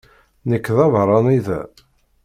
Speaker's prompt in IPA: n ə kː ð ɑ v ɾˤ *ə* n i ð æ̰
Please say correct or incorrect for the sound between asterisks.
incorrect